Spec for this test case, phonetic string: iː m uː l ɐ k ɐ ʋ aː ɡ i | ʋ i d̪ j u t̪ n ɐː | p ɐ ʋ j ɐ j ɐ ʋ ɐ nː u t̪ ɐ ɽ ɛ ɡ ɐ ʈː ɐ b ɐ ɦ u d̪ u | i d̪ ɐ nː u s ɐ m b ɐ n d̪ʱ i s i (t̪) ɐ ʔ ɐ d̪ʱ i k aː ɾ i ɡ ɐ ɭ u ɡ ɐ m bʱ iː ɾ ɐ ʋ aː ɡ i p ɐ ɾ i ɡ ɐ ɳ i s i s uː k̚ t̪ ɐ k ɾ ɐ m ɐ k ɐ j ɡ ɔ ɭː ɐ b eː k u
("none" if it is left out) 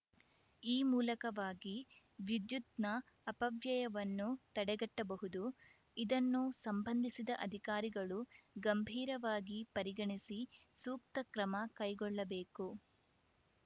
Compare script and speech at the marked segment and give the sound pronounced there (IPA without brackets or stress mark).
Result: d̪